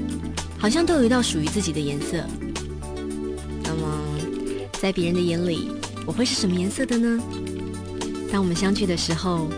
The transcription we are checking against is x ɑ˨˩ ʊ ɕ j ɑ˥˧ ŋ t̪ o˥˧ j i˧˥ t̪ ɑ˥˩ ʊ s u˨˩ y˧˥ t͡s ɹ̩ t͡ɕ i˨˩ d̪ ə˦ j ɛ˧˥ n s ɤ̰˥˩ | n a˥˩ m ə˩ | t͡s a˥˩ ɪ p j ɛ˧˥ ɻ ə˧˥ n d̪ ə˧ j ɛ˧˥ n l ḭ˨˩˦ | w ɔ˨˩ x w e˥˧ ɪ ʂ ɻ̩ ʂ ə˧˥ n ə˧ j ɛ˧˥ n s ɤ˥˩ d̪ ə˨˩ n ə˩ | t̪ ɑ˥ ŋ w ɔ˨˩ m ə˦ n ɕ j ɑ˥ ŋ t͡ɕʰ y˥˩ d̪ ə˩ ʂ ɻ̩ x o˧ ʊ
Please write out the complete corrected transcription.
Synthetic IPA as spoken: x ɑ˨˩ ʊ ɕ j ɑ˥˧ ŋ t̪ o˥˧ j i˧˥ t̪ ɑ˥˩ ʊ ʂ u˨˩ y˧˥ t͡s ɹ̩ t͡ɕ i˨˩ d̪ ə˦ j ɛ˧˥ n s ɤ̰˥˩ | n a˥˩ m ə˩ | t͡s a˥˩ ɪ p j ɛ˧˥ ɻ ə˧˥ n d̪ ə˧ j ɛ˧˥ n l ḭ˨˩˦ | w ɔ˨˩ x w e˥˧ ɪ ʂ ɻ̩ ʂ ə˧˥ m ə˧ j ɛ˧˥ n s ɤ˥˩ d̪ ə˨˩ n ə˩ | t̪ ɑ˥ ŋ w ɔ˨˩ m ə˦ n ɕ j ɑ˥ ŋ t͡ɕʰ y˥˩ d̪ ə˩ ʂ ɻ̩ x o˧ ʊ